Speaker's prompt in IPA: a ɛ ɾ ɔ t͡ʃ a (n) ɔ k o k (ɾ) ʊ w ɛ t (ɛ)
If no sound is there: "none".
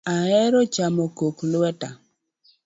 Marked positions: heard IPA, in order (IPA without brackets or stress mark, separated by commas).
m, l, a